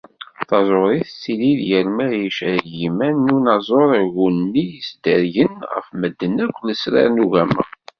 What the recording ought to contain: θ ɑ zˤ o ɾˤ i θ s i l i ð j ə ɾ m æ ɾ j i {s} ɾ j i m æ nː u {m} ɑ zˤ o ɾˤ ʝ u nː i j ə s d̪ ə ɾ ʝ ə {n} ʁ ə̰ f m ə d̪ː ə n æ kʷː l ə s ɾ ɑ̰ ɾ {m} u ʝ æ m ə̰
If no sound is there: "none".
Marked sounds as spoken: ʃ, n, n, n

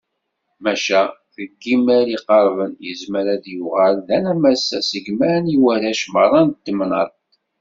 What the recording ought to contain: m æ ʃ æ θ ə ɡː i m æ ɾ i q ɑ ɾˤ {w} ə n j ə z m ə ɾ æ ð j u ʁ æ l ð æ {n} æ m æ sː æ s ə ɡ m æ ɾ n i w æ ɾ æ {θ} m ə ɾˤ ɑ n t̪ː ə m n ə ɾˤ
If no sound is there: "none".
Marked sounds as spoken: v, n, ʃ

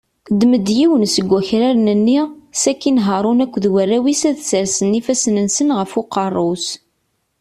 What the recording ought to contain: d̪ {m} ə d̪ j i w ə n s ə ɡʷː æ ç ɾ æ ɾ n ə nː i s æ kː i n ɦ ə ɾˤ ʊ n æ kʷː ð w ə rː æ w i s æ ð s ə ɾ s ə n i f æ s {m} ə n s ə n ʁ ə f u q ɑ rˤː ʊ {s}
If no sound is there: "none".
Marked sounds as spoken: m, n, s

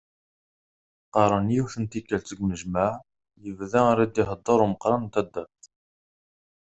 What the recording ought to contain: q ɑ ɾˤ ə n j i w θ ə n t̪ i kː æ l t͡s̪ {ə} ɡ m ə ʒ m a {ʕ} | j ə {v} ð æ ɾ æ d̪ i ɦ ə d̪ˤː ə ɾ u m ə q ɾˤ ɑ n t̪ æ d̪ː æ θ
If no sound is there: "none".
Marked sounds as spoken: ə, ʕ, v

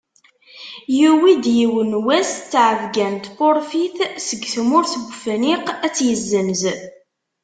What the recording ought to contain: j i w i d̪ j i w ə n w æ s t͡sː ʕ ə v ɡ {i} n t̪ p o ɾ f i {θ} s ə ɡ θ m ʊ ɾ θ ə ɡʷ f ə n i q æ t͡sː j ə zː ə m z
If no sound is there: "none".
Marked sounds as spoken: æ, θ

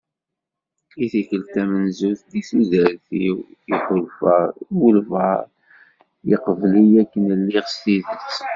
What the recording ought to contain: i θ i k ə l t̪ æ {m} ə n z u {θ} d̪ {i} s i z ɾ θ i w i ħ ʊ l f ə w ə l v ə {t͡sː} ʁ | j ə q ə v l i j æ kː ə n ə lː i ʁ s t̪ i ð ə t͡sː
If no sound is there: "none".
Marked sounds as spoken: m, θ, i, none

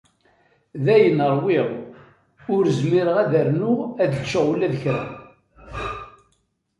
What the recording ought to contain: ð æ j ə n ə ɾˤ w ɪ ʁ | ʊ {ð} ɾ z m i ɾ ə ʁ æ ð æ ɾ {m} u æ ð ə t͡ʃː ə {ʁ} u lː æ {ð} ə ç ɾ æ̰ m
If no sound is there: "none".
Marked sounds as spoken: none, n, ʁ, ð

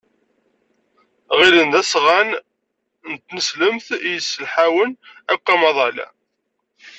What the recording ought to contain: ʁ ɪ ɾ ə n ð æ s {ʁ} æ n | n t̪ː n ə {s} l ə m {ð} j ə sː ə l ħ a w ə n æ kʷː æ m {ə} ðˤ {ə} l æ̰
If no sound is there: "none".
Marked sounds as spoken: ʁ, s, θ, ɑ, ɑ

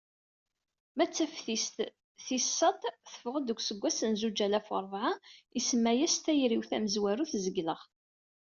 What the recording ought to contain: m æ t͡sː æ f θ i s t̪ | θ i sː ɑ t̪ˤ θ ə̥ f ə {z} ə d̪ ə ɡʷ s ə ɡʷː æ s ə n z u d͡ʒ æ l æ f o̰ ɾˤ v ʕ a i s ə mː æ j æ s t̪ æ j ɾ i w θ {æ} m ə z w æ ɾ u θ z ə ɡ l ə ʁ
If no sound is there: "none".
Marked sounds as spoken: ʁ, æ

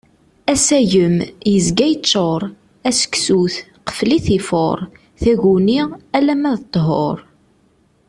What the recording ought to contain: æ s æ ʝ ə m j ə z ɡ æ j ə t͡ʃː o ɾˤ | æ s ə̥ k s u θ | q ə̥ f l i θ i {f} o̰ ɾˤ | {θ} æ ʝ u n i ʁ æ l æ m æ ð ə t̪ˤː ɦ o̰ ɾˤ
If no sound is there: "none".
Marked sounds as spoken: f, θ

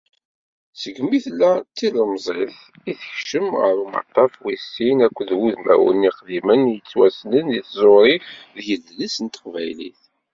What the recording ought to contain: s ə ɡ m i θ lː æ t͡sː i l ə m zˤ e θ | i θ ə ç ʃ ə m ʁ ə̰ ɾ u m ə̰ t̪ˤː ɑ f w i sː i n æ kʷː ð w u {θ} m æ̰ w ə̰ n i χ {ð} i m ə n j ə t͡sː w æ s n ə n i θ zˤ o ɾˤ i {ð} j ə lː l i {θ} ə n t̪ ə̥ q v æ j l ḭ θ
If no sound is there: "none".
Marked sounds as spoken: ð, ð, ð, s

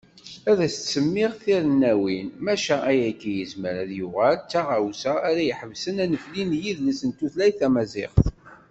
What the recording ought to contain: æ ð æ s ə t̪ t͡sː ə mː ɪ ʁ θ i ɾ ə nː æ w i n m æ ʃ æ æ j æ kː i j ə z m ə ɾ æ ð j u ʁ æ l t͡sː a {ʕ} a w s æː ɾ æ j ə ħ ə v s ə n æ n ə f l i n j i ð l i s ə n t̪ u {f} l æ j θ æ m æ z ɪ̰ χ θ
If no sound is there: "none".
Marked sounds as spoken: ʁ, θ

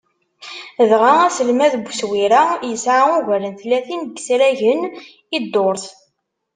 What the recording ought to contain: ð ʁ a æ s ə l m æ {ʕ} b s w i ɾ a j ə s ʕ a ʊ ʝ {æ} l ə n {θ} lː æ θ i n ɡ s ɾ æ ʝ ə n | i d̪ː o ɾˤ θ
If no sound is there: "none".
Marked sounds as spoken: ð, æ, θ

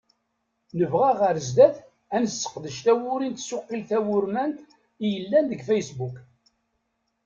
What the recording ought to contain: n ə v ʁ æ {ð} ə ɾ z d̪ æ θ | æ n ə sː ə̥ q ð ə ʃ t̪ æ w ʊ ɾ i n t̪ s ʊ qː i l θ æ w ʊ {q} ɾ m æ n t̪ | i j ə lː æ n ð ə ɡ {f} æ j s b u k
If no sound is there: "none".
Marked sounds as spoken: ʁ, none, f

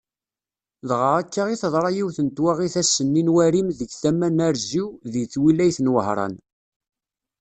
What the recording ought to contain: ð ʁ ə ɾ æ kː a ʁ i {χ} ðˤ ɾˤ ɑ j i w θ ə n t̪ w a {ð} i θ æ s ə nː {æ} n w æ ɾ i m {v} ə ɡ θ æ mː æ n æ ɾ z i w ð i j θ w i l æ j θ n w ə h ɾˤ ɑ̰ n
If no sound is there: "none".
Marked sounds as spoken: θ, ʁ, i, ð

